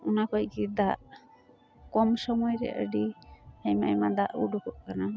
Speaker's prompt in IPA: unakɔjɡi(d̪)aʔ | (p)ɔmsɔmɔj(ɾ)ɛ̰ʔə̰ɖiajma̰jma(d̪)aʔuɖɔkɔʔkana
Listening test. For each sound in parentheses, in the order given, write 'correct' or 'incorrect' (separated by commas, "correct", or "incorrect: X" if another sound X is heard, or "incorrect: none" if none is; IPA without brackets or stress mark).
correct, incorrect: k, correct, correct